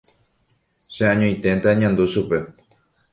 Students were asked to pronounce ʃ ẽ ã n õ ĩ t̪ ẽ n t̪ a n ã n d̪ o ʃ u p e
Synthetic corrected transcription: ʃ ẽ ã ɲ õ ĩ t̪ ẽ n t̪ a ɲ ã n d̪ u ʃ u p e